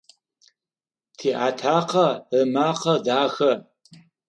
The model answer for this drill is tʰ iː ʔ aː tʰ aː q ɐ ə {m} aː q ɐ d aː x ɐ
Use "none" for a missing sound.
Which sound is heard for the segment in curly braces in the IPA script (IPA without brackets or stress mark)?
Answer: m